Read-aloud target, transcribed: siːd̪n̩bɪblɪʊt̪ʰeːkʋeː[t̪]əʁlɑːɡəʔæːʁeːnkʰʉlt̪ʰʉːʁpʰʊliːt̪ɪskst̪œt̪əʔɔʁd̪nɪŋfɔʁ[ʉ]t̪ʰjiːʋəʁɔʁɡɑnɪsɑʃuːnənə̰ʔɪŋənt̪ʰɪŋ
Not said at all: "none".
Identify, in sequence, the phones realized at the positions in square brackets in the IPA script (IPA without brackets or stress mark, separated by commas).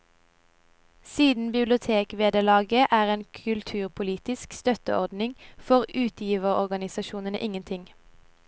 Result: d̪, ʉː